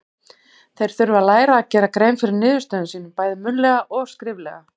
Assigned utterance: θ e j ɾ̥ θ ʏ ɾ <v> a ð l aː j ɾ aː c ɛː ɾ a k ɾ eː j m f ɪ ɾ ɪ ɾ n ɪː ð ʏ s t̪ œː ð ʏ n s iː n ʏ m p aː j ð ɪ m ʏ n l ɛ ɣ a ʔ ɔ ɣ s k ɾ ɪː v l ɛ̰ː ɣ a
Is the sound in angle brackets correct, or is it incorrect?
correct